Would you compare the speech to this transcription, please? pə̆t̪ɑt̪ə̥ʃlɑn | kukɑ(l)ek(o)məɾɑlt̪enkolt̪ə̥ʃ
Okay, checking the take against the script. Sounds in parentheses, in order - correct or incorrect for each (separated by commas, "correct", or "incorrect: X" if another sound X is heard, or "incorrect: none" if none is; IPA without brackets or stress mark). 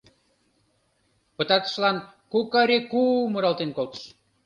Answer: incorrect: ɾ, incorrect: u